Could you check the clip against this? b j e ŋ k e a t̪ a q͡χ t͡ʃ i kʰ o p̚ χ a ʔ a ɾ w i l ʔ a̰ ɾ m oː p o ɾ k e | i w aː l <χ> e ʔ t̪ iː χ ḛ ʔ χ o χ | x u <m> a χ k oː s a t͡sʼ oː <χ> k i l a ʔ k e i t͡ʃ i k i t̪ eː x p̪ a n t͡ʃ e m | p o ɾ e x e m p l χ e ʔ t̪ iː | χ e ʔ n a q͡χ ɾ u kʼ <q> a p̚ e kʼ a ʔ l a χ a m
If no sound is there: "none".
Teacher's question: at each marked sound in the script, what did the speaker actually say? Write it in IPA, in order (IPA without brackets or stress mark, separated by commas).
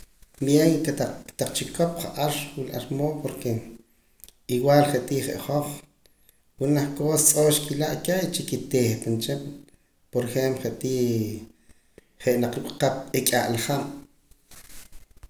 χ, n, ʃ, q